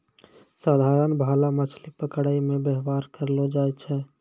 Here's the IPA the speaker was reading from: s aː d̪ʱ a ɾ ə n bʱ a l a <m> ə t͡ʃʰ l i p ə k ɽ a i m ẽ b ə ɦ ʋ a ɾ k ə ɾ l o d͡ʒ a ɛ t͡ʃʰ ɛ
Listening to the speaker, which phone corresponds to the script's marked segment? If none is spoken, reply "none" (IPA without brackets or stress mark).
m